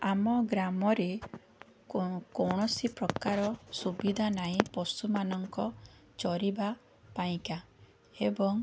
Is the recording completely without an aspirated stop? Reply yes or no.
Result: yes